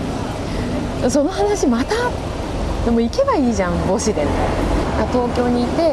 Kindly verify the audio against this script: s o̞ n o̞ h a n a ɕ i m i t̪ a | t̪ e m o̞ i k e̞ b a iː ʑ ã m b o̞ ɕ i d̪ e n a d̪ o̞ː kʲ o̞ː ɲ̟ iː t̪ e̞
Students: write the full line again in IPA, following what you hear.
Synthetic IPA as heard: s o̞ n o̞ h a n a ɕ i m a t̪ a | d̪ e m o̞ i k e̞ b a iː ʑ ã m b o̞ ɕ i d̪ e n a t̪ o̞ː kʲ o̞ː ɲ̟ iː t̪ e̞

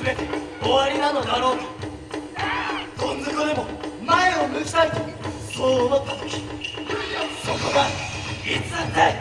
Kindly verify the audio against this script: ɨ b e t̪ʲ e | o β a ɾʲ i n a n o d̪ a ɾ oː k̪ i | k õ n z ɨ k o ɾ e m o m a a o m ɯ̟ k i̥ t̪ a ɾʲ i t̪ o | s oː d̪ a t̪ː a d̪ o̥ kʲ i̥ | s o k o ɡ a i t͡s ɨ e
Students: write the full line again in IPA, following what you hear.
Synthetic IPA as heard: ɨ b e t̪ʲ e | o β a ɾʲ i n a n o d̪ a ɾ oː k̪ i | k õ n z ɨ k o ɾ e m o m a e o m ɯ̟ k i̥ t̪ a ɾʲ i t̪ o | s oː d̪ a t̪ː a t̪ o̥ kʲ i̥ | s o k o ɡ a i t͡s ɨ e

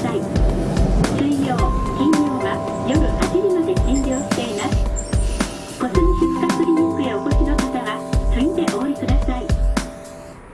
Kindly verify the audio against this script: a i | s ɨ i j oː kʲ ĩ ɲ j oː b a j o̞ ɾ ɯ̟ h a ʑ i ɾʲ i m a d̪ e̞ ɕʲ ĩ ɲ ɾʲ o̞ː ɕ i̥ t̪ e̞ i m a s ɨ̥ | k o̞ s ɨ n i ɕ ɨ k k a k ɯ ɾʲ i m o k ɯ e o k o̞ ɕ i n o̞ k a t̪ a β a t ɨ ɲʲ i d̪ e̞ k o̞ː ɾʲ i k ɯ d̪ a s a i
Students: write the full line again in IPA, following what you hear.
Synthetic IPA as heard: a i | s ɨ i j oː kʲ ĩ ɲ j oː β a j o̞ ɾ ɯ̟ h a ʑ i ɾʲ i m a d̪ e̞ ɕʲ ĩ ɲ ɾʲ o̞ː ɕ i̥ t̪ e̞ i m a s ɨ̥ | k o̞ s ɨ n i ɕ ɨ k k a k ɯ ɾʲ i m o k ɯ e o k o̞ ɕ i n o̞ k a t̪ a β a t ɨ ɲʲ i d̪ e̞ ʔ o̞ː ɾʲ i k ɯ d̪ a s a i

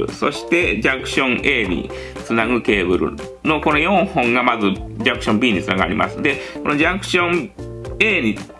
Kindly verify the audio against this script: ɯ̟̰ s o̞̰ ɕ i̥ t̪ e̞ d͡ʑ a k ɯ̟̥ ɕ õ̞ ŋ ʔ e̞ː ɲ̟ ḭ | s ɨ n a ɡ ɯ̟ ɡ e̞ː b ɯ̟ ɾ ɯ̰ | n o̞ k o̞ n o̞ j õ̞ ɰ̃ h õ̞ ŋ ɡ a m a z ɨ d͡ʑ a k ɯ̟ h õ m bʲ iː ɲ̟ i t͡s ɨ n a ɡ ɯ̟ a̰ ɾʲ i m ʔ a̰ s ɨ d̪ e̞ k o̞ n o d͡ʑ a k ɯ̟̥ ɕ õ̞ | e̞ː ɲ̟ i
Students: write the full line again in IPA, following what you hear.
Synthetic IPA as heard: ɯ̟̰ s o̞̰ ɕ i̥ t̪ e̞ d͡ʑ a k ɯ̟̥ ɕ õ̞ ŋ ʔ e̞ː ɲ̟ ḭ | t͡s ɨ n a ɡ ɯ̟ k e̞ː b ɯ̟ ɾ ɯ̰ | n o̞ k o̞ n o̞ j õ̞ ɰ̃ h õ̞ ŋ ɡ a m a z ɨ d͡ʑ a k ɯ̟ ɕ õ m bʲ iː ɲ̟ i t͡s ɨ n a ɡ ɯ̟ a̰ ɾʲ i m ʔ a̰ s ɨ d̪ e̞ k o̞ n o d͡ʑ a k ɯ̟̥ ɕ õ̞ | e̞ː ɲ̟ i

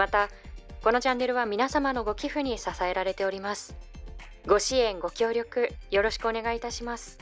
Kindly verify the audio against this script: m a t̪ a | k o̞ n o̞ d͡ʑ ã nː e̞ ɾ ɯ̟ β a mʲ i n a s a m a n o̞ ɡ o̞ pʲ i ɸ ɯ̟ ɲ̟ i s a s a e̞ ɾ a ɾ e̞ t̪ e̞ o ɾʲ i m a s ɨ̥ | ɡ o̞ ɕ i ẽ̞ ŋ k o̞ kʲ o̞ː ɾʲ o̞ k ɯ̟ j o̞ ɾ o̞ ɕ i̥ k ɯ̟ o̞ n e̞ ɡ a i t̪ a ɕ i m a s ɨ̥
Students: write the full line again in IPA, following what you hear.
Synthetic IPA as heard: m a t̪ a | k o̞ n o̞ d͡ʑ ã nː e̞ ɾ ɯ̟ β a mʲ i n a s a m a n o̞ ɡ o̞ kʲ i ɸ ɯ̟ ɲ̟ i s a s a e̞ ɾ a ɾ e̞ t̪ e̞ o ɾʲ i m a s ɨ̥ | ɡ o̞ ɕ i ẽ̞ ŋ ɡ o̞ kʲ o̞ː ɾʲ o̞ k ɯ̟ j o̞ ɾ o̞ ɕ i̥ k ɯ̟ o̞ n e̞ ɡ a i t̪ a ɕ i m a s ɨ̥

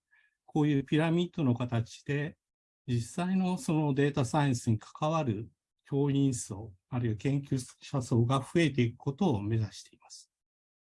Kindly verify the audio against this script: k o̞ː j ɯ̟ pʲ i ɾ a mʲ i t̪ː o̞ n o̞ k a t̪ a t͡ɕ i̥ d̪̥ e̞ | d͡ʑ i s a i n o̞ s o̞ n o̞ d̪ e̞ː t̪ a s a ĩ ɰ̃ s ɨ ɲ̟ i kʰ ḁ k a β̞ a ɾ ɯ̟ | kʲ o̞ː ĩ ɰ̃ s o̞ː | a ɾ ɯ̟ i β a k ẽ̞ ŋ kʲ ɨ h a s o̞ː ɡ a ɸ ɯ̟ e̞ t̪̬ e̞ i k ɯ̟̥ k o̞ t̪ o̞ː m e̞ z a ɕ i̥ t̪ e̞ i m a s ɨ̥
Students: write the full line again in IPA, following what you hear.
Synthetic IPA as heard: k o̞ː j ɯ̟ː pʲ i ɾ a mʲ i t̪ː o̞ n o̞ k a t̪ a t͡ɕ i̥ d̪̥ e̞ | d͡ʑ i s a i n o̞ s o̞ n o̞ d̪ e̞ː t̪ a s a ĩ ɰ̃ s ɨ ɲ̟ i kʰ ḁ k a β̞ a ɾ ɯ̟ | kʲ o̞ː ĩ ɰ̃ s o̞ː | a ɾ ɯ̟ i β a k ẽ̞ ŋ kʲ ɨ ɕ a s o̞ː ɡ a ɸ ɯ̟ e̞ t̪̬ e̞ i k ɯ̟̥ k o̞ t̪ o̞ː m e̞ z a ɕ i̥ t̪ e̞ i m a s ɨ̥

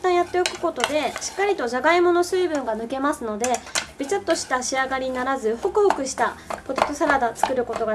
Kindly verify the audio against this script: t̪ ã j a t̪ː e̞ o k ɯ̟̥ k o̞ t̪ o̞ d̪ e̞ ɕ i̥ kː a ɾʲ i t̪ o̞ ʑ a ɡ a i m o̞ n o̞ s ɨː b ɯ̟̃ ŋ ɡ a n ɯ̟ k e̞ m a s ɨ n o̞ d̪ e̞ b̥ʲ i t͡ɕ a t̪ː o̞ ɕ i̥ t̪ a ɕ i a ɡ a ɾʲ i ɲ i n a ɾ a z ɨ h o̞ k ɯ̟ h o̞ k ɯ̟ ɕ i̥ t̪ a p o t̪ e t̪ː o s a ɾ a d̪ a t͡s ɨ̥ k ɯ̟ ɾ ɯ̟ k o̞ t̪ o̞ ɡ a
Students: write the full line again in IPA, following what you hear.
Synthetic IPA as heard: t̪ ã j a t̪ː e̞ o k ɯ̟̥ k o̞ t̪ o̞ d̪ e̞ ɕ i̥ kː a ɾʲ i t̪ o̞ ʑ a ɡ a i m o̞ n o̞ s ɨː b ɯ̟̃ ŋ ɡ a n ɯ̟ k e̞ m a s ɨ n o̞ d̪ e̞ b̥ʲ i t͡ɕ a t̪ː o̞ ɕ i̥ t̪ a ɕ i a ɡ a ɾʲ i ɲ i n a ɾ a z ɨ h o̞ k ɯ̟ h o̞ k ɯ̟ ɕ i̥ t̪ a p o t̪ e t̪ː o s a ɾ a d̪ a t͡s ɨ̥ k ɯ̟ ɾ ɯ̟ k o̞ t̪ o̞ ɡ a

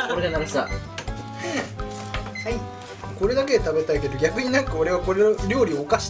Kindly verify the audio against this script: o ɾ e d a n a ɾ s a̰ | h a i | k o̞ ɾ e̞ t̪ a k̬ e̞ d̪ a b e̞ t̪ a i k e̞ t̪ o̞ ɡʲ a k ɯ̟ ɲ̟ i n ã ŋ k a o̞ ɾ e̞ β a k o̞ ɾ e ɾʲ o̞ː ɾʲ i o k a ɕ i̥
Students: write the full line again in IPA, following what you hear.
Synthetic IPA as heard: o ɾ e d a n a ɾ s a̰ | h a i | k o̞ ɾ e̞ d̪ a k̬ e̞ t̪ a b e̞ t̪ a i k e̞ d̪ o̞ ɡʲ a k ɯ̟ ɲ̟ i n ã ŋ k a o̞ ɾ e̞ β a k o̞ ɾ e ɾʲ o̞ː ɾʲ i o k a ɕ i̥

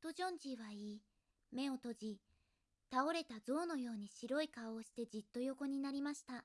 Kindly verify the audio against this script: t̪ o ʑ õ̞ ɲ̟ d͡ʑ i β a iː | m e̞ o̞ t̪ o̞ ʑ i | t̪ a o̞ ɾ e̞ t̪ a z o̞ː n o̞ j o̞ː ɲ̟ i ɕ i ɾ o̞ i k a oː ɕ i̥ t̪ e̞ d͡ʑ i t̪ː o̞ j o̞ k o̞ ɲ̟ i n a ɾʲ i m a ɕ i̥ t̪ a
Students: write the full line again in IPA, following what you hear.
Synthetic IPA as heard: t̪ o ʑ õ̞ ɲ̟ d͡ʑ i β a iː | m e̞ o̞ t̪ o̞ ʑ i | t̪ a o̞ ɾ e̞ t̪ a z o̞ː n o̞ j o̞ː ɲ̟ i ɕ i ɾ o̞ i k a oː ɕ i̥ t̪ e̞ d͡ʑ i t̪ː o̞ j o̞ k o̞ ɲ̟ i n a ɾʲ i m a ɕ i̥ t̪ a

